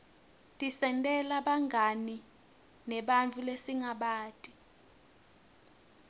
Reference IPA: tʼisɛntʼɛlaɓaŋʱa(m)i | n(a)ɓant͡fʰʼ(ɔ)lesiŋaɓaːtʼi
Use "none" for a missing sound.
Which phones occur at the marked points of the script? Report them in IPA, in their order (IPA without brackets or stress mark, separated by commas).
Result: n, ɛ, u